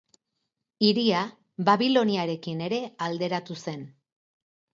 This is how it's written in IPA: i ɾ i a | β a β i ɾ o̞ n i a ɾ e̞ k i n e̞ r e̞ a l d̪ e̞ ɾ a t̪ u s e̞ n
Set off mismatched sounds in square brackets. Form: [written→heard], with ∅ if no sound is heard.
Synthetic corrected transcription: i ɾ i a | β a β i [ɾ→l] o̞ n i a ɾ e̞ k i n e̞ [r→ɾ] e̞ a l d̪ e̞ ɾ a t̪ u s e̞ n